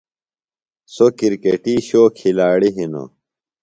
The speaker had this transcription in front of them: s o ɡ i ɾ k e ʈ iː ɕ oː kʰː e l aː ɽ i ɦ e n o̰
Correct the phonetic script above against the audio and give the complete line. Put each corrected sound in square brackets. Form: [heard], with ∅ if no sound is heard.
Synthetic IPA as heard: s o [k] i ɾ k e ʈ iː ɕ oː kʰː [i] l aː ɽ i ɦ [i] n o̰